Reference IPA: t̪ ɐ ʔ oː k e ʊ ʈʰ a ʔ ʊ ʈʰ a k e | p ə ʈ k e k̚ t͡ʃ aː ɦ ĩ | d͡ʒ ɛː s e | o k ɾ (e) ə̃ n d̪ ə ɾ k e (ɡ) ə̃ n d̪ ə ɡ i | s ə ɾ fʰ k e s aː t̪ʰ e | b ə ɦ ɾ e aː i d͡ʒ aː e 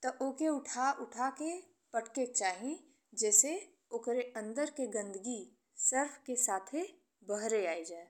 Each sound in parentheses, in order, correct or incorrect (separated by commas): correct, correct